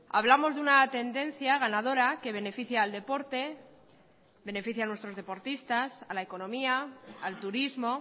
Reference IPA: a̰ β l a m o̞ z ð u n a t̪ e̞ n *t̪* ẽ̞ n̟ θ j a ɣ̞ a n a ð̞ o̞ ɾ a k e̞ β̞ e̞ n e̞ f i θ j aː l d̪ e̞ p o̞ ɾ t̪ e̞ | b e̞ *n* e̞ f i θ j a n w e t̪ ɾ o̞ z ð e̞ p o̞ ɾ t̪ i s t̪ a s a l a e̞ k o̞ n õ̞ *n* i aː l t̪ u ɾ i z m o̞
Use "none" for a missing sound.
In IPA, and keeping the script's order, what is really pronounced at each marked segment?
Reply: d̪, n, m

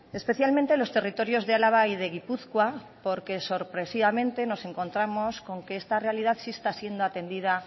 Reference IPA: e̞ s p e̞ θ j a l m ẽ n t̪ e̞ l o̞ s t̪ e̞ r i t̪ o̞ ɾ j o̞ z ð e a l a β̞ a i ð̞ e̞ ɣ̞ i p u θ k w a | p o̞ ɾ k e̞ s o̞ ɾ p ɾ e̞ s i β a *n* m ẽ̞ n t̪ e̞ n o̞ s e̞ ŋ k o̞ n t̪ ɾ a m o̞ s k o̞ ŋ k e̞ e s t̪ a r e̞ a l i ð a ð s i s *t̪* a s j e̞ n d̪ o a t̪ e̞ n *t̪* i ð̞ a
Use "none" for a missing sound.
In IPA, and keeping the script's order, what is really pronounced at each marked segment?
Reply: none, t̪, d̪

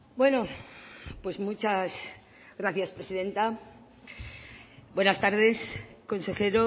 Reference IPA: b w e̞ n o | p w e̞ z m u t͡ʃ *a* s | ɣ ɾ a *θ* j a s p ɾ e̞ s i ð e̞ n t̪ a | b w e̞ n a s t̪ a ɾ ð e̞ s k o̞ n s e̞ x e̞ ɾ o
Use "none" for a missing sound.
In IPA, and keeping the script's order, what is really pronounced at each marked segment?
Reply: a, θ

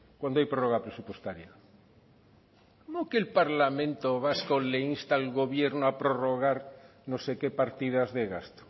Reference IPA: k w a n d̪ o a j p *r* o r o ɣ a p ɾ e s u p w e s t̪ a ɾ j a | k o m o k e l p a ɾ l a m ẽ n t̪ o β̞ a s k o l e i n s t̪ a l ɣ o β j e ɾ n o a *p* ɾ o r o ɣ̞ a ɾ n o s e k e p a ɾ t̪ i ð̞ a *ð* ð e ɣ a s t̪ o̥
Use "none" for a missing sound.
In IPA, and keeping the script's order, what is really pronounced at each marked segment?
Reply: ɾ, p, z

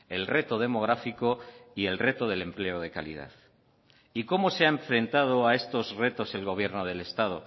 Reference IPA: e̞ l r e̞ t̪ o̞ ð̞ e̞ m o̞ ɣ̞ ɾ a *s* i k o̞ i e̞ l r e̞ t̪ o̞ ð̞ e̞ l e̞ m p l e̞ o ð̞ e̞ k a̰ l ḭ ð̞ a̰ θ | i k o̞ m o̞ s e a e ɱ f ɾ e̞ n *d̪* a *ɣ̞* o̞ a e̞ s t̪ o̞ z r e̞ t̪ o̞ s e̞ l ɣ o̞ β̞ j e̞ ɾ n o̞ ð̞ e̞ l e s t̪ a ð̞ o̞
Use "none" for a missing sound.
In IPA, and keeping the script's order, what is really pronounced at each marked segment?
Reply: f, t̪, ð̞

